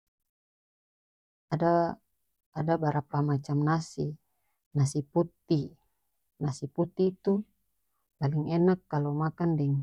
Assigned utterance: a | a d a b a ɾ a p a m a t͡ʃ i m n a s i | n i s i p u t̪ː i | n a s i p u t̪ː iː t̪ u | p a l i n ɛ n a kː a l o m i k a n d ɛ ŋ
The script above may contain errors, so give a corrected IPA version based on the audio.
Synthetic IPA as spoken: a | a d a b a ɾ a p a m a t͡ʃ a m n a s i | n a s i p u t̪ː i | n a s i p u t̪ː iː t̪ u | p a l i ŋ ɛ n a kː a l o m a k a n d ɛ ŋ